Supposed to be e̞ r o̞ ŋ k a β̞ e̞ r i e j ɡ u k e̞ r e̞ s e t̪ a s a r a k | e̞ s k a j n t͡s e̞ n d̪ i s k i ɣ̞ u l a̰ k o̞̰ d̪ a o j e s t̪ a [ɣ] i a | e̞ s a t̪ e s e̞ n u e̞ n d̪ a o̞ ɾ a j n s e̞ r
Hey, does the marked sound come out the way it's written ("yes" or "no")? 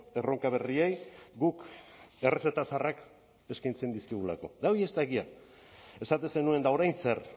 yes